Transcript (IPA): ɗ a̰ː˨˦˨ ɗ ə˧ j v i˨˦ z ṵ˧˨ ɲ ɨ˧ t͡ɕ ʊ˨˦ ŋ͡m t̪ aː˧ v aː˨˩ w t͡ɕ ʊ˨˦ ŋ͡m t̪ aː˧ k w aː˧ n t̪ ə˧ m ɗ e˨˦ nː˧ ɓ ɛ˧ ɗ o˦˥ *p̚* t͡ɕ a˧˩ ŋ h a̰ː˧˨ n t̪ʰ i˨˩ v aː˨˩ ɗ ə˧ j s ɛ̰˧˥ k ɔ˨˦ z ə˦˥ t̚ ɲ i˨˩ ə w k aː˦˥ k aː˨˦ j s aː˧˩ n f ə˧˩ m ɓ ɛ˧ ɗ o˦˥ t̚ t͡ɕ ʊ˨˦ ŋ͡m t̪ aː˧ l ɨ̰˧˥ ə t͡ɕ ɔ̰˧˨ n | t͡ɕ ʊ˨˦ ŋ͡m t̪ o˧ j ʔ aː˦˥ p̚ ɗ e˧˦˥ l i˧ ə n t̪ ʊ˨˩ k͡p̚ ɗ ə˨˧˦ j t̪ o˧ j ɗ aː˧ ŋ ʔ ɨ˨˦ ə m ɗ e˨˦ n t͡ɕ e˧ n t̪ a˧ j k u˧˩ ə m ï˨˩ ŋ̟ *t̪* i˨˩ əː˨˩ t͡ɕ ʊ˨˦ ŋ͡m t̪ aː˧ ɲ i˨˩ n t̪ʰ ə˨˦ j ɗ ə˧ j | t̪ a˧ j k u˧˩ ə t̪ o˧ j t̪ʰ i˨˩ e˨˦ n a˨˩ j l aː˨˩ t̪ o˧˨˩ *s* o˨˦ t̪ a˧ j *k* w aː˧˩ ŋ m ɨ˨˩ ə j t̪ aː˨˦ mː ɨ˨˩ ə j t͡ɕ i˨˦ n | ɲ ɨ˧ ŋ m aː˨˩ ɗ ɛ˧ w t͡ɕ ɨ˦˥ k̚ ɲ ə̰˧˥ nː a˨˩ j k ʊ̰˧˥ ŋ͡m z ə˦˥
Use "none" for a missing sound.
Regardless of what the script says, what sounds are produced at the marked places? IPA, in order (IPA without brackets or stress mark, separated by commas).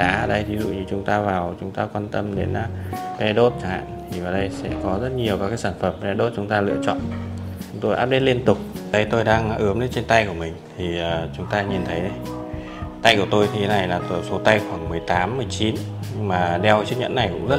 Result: t̚, t̪ʰ, s, x